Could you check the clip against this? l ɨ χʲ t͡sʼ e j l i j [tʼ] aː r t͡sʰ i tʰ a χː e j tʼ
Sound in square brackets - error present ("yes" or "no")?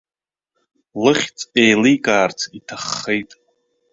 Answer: yes